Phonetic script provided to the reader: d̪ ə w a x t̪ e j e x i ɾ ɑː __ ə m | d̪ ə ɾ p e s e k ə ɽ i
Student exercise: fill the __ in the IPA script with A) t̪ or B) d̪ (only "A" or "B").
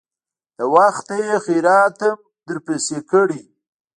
A